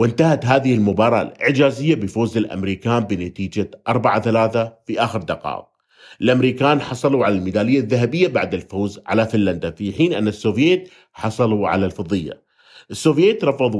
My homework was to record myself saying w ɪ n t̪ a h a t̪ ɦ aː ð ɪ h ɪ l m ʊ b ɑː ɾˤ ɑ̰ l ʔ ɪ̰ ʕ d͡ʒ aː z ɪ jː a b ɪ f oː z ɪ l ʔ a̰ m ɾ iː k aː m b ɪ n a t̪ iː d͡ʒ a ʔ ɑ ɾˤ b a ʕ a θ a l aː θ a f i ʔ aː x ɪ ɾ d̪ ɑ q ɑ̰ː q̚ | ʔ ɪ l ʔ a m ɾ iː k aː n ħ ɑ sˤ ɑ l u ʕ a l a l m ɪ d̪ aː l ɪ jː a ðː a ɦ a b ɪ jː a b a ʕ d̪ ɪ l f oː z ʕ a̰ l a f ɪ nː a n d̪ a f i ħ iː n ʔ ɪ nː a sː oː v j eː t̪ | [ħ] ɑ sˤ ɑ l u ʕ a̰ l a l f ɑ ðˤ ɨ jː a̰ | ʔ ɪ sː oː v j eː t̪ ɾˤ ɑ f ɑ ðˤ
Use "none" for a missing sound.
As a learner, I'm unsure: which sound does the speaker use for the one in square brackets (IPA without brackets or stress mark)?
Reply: ħ